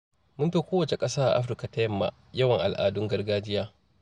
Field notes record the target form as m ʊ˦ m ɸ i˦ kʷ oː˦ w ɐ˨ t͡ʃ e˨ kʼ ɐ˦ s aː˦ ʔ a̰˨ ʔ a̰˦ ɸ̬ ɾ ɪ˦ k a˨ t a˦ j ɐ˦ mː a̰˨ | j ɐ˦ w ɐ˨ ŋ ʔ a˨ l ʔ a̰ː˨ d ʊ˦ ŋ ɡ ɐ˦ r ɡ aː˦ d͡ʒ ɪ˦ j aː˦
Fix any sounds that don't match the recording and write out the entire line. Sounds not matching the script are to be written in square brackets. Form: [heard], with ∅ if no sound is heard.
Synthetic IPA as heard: m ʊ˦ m ɸ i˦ kʷ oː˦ w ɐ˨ t͡ʃ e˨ kʼ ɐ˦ s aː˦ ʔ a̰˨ ʔ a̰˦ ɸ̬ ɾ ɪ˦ k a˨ t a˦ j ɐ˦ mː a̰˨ | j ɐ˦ w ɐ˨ ŋ ʔ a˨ l ʔ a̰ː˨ d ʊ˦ ŋ ɡ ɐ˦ r ɡ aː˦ d͡ʒ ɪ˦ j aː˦